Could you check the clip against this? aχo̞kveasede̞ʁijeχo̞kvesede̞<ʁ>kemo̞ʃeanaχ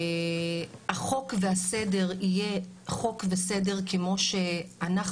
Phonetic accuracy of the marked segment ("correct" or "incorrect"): correct